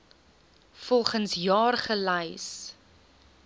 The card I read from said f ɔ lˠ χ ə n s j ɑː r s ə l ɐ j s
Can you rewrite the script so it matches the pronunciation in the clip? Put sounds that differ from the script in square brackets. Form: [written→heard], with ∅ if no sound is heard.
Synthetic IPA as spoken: f ɔ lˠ χ ə n s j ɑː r [s→χ] ə l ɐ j s